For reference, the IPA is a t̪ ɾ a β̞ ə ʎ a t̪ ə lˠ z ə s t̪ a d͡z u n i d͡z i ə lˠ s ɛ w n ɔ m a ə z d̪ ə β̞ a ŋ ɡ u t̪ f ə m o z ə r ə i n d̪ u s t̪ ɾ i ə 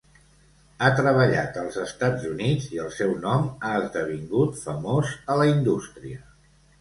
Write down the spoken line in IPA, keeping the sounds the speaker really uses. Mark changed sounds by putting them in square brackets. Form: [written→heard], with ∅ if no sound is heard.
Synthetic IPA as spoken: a t̪ ɾ [a→ə] β̞ ə ʎ a t̪ ə lˠ z ə s t̪ a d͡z u n i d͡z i ə lˠ s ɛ w n ɔ m a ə z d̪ ə β̞ [a→i] ŋ ɡ u t̪ f ə m o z ə [r→l] ə i n d̪ u s t̪ ɾ i ə